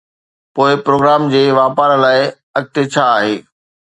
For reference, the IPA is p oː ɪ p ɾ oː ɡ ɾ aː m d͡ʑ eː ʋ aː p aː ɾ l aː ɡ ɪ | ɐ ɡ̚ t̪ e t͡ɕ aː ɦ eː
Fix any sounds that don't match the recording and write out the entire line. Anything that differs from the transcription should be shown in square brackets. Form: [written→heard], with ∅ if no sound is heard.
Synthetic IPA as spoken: p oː ɪ p ɾ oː ɡ ɾ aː m d͡ʑ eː ʋ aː p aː ɾ l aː [ɡ→∅] ɪ | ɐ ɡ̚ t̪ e [t͡ɕ→t͡ɕʰ] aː ɦ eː